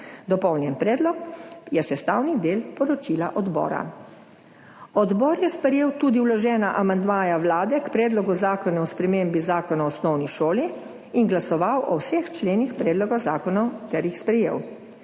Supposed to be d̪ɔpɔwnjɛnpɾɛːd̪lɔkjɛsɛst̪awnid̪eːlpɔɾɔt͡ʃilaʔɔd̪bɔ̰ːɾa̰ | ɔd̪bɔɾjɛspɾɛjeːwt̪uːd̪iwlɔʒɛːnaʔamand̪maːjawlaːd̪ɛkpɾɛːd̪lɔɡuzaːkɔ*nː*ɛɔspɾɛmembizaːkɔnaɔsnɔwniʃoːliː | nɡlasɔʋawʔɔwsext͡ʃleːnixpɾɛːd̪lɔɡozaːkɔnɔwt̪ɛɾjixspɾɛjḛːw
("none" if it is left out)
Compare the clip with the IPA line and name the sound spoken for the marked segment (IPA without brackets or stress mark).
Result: n